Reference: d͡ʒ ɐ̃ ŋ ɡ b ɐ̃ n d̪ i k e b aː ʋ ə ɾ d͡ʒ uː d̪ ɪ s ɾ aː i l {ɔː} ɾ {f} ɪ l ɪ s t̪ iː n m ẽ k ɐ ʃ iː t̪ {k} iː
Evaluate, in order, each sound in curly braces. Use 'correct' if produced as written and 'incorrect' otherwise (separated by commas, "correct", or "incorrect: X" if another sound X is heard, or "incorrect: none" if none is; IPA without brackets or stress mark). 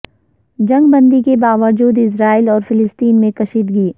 correct, correct, incorrect: ɡ